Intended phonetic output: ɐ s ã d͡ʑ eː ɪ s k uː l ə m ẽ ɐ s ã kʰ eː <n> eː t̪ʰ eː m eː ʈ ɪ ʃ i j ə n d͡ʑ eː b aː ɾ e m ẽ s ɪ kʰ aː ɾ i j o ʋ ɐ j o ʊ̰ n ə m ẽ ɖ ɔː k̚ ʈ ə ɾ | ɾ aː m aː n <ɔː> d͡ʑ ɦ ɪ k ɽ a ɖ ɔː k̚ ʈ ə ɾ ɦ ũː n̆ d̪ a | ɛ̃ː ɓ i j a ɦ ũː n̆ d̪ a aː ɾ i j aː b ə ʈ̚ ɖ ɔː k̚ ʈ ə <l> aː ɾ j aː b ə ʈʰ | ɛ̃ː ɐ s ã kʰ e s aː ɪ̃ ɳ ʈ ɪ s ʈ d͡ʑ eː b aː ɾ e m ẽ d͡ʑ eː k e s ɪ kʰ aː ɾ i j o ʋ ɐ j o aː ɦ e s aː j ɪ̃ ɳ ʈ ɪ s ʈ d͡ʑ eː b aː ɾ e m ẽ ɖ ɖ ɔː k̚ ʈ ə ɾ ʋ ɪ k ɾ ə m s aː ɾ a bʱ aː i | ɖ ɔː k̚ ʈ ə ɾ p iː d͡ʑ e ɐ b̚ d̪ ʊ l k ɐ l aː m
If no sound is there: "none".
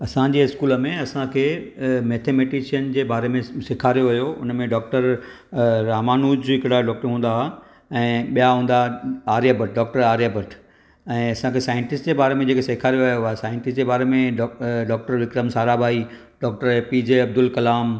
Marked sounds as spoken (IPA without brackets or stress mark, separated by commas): m, uː, ɾ